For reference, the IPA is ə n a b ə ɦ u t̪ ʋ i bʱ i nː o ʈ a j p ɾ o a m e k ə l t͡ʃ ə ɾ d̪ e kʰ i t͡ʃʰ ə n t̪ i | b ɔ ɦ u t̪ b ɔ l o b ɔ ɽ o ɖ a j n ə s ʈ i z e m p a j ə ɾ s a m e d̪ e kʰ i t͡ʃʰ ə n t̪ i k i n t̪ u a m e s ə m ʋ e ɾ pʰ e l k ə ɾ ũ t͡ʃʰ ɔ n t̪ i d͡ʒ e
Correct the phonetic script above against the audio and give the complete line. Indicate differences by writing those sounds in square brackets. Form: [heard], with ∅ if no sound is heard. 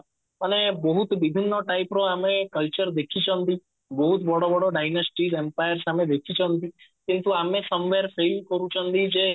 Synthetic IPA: ə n [e] b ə ɦ u t̪ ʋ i bʱ i nː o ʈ a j p ɾ o a m e k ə l t͡ʃ ə ɾ d̪ e kʰ i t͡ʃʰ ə n t̪ i | b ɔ ɦ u t̪ b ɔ [ɽ] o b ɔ ɽ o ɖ a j n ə s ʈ i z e m p a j ə ɾ s a m e d̪ e kʰ i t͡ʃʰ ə n t̪ i k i n t̪ u a m e s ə m ʋ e ɾ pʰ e l k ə ɾ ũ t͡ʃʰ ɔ n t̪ i d͡ʒ e